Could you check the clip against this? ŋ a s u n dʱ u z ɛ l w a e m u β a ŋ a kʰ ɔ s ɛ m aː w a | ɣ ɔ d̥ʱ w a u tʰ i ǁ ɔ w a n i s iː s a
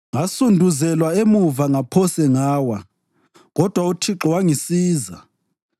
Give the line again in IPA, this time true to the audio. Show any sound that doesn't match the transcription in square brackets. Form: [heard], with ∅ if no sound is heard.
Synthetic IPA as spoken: ŋ a s u n dʱ u z ɛ l w a e m u [v] a ŋ a [pʰ] ɔ s ɛ [ŋ] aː w a | ɣ ɔ d̥ʱ w a u tʰ i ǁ ɔ w a [ŋ] i s iː [z] a